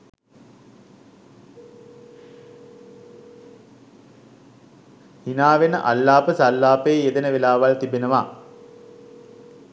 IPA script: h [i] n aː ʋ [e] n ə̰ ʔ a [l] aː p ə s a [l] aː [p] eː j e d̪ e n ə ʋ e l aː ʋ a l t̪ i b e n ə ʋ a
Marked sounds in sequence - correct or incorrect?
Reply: correct, correct, incorrect, incorrect, correct

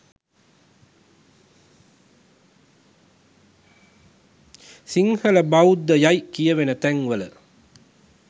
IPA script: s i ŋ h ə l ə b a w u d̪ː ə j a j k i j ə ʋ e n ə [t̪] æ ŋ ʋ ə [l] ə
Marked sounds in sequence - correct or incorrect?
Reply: correct, correct

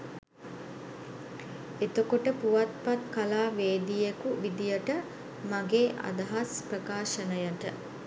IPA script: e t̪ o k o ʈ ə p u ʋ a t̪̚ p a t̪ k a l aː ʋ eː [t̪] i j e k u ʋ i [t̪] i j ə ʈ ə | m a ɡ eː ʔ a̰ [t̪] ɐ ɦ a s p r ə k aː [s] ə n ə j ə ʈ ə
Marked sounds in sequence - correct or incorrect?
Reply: incorrect, incorrect, incorrect, incorrect

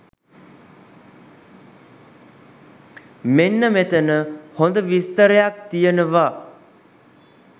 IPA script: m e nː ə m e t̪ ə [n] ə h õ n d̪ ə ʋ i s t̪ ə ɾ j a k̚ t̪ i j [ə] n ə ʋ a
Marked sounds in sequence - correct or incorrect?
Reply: correct, correct

